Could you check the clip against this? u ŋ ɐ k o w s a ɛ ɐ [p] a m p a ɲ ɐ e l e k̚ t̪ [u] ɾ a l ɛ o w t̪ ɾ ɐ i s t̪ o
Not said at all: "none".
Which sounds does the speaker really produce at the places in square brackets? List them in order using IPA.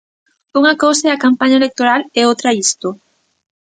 k, o

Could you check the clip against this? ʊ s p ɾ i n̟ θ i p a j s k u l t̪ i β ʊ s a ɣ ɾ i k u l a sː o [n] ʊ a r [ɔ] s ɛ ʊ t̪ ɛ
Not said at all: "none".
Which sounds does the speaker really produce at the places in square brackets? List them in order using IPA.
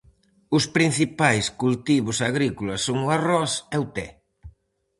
ŋ, ɔ

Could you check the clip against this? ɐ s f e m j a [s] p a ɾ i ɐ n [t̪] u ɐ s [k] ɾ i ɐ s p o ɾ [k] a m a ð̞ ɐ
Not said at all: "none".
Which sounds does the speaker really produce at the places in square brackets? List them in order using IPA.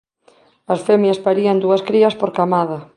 s, d̪, k, k

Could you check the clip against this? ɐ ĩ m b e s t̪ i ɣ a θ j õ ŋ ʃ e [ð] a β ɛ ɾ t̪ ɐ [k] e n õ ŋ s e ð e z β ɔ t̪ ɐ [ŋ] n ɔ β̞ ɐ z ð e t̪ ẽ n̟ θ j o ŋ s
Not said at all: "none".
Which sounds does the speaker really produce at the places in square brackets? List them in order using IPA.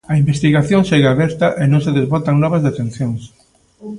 ɣ, ʔ, ŋ

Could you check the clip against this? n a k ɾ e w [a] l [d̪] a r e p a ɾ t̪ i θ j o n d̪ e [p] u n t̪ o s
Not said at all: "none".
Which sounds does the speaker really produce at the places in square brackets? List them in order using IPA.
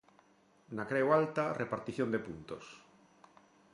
a, t̪, p

